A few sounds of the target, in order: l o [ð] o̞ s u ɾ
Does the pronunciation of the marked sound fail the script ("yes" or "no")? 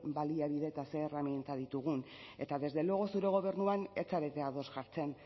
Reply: yes